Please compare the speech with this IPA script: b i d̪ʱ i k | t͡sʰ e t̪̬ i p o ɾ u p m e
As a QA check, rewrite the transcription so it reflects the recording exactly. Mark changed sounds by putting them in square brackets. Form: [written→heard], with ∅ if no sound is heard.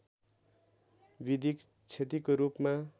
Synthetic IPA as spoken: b i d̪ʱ i k | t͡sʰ e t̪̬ i [p→k] o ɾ u p m [e→a]